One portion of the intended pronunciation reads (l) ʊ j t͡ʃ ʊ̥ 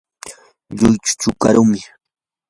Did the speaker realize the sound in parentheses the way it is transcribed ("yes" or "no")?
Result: no